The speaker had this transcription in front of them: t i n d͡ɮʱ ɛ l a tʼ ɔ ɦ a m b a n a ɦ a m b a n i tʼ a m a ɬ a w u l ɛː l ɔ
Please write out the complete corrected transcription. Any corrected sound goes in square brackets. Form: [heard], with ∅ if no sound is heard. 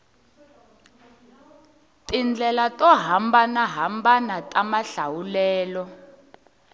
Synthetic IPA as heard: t i n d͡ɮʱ ɛ l a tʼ ɔ ɦ a m b a n a ɦ a m b a n [a] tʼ a m a ɬ a w u l ɛː l ɔ